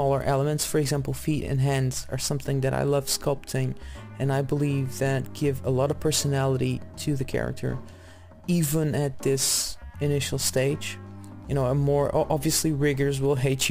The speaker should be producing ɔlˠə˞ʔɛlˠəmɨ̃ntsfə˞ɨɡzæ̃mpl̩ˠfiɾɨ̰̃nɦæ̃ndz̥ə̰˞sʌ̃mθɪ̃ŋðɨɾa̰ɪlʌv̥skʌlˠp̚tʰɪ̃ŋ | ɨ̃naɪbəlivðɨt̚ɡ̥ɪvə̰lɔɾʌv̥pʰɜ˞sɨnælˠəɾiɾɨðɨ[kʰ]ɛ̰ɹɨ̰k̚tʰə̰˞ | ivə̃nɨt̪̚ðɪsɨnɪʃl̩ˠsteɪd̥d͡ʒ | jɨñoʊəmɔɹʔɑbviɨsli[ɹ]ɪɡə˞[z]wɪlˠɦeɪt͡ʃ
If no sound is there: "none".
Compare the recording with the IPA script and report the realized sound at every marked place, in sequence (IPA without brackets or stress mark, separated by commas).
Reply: kʰ, ɹ, z